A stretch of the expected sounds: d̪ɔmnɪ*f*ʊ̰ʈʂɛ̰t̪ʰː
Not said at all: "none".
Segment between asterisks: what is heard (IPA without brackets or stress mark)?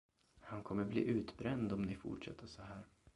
f